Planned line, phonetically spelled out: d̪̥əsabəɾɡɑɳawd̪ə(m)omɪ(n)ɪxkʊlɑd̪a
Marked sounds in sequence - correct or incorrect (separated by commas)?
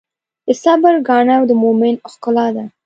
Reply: correct, correct